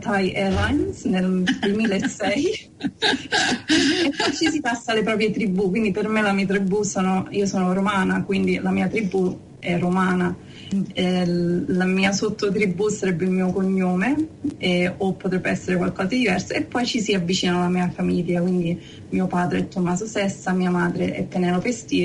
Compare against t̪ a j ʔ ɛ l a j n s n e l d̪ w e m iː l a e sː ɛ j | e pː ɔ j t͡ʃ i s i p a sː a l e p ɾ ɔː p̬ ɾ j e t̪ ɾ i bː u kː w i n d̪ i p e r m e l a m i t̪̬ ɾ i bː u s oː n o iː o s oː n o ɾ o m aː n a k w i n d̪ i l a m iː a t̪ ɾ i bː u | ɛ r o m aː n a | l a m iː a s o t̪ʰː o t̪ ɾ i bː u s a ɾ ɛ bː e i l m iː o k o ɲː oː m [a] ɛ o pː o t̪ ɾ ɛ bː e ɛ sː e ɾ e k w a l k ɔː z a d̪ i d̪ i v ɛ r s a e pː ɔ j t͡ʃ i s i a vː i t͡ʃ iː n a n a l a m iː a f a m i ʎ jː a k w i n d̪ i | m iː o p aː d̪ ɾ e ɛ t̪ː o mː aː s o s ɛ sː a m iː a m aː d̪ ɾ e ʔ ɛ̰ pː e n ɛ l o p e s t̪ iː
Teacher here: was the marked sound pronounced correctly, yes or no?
no